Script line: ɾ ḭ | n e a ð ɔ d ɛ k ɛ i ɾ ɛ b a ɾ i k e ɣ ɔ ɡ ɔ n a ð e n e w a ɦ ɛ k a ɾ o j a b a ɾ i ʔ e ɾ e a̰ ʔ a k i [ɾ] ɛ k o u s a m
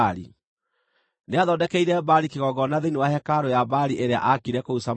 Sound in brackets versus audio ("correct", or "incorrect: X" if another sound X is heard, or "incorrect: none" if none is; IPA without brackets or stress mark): correct